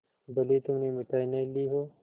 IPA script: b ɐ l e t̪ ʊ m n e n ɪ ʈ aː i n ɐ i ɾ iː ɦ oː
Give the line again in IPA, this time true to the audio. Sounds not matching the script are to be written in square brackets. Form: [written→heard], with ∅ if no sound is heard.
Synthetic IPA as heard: b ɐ l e t̪ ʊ m n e [n→m] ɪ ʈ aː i n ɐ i [ɾ→l] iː ɦ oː